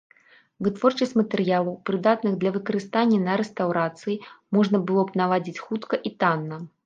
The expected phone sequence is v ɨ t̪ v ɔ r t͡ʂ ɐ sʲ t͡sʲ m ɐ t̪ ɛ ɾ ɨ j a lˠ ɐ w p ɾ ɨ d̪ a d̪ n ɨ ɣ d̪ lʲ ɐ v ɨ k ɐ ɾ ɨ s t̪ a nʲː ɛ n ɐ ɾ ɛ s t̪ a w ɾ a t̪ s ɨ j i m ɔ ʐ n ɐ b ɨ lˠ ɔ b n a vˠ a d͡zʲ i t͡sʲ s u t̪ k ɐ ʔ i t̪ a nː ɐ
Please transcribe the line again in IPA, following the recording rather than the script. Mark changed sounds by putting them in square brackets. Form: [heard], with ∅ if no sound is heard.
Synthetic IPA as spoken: v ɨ t̪ v ɔ r t͡ʂ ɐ sʲ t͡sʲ m ɐ t̪ ɛ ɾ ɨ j a lˠ ɐ w p ɾ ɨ d̪ a [t̪] n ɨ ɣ d̪ lʲ ɐ v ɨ k ɐ ɾ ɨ s t̪ a nʲː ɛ n ɐ ɾ ɛ s t̪ a w ɾ a t̪ s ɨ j i m ɔ ʐ n ɐ b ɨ lˠ ɔ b n a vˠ a d͡zʲ i t͡sʲ [x] u t̪ k ɐ ʔ i t̪ a nː ɐ